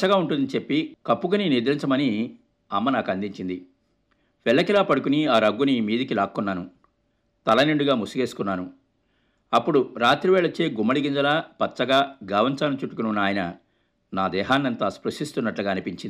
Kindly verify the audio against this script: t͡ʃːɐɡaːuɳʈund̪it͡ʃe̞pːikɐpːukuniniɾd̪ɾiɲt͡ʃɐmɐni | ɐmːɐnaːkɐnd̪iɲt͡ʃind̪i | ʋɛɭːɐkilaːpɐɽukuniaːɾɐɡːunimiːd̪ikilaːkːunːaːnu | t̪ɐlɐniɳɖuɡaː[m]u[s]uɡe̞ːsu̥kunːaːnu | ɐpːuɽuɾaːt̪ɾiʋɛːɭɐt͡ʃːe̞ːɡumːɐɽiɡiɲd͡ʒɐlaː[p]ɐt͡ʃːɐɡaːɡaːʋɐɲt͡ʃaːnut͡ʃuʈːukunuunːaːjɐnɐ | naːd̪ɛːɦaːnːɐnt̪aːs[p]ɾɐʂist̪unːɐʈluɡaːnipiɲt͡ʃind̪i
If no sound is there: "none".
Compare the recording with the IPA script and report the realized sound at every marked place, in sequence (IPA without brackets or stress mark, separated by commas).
m, s, p, p